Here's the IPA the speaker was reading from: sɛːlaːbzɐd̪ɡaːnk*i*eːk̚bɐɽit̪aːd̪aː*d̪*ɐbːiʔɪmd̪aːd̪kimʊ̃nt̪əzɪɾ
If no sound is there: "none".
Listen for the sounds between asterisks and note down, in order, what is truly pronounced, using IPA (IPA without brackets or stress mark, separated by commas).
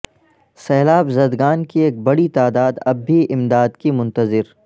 i, d̪